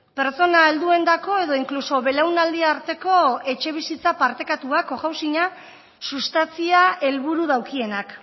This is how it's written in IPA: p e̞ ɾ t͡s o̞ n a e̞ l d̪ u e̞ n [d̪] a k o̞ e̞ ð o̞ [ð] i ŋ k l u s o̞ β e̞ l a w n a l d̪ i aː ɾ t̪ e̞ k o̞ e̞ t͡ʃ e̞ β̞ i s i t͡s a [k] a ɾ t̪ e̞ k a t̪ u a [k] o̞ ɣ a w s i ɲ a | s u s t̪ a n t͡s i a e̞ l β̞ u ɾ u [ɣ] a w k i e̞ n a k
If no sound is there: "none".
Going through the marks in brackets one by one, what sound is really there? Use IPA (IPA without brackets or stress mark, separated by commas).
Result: d̪, none, p, k, ð